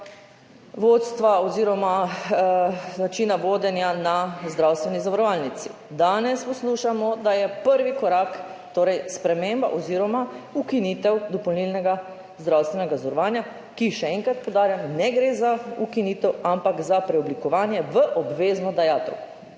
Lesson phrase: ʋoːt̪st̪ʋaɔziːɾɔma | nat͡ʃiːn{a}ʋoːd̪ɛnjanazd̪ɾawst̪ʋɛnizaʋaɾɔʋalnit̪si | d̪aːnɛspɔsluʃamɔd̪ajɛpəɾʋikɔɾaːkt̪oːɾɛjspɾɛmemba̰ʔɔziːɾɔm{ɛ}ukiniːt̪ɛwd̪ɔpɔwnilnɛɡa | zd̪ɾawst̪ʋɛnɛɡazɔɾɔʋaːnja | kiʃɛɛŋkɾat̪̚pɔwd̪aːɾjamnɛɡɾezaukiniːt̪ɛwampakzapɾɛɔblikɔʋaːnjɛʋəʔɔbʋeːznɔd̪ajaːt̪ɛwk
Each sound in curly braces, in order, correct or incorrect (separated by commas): correct, incorrect